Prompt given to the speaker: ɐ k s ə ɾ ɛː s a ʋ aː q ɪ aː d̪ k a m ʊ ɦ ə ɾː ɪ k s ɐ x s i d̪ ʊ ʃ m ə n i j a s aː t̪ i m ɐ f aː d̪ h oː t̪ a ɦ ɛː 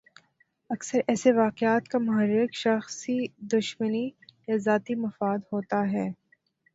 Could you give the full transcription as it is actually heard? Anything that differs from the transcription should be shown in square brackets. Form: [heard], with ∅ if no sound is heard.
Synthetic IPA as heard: ɐ k s ə ɾ ɛː s [e] ʋ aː q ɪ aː [t̪] k a m ʊ ɦ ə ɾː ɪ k [ʃ] ɐ x s i d̪ ʊ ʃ m ə n i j a [z] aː t̪ i m ɐ f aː d̪ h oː t̪ a ɦ ɛː

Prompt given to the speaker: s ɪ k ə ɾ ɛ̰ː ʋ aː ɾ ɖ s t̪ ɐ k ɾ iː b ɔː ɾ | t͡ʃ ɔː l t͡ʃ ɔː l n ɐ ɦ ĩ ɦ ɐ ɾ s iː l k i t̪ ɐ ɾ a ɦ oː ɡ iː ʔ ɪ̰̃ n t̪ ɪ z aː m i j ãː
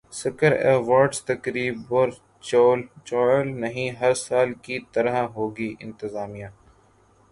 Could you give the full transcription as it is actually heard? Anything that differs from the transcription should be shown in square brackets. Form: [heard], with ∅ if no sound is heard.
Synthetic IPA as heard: s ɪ k ə ɾ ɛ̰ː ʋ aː ɾ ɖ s t̪ ɐ k ɾ iː b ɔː ɾ | t͡ʃ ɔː l t͡ʃ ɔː l n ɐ ɦ ĩ ɦ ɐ ɾ s [aː] l k i t̪ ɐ ɾ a ɦ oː ɡ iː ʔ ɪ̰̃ n t̪ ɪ z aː m i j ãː

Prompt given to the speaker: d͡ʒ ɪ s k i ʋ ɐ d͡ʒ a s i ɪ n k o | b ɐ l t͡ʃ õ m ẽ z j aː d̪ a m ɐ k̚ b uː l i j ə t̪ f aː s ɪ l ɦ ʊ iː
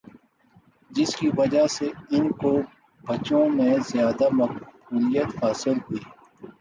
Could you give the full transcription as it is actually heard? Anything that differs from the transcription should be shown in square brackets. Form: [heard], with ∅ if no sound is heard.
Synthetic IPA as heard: d͡ʒ ɪ s k i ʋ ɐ d͡ʒ a s [e] ɪ n k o | b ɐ [∅] t͡ʃ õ m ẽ z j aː d̪ a m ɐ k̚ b uː l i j ə t̪ f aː s ɪ l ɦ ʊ iː

